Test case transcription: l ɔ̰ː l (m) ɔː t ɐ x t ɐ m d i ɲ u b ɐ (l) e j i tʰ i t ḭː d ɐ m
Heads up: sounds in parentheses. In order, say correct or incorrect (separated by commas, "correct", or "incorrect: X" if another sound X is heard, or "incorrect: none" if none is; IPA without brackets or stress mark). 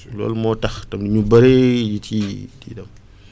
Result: correct, incorrect: ɾ